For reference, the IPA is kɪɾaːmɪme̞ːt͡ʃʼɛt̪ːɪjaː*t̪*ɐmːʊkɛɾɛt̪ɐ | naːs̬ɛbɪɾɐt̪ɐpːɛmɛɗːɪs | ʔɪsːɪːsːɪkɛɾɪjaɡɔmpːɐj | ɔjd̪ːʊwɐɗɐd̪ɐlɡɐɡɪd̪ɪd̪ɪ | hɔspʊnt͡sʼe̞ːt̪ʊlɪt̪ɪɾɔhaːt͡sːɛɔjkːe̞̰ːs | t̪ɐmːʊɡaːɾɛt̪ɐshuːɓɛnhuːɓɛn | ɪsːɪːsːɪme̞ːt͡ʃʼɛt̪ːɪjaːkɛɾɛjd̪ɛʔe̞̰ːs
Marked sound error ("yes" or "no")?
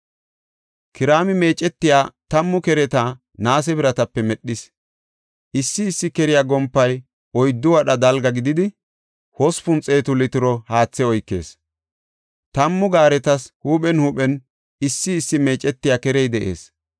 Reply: no